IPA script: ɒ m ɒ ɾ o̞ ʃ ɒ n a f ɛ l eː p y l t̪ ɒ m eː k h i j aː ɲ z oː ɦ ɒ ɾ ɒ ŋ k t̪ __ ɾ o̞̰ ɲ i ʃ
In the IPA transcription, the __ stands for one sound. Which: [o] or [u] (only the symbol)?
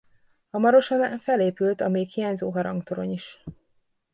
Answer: o